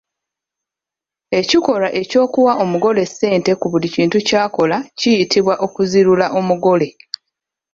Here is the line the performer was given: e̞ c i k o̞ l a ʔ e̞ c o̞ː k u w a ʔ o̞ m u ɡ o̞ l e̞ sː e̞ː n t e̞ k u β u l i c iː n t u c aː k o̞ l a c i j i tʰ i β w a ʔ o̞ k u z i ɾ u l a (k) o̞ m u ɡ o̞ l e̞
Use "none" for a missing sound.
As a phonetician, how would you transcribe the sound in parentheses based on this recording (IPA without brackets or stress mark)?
ʔ